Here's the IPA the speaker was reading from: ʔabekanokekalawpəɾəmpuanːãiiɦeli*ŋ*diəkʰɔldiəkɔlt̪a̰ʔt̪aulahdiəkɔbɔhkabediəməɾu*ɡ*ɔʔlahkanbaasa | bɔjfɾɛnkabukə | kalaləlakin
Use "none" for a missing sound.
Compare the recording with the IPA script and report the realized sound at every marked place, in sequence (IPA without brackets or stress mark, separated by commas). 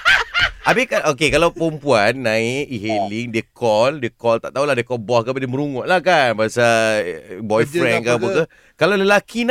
ŋ, ŋ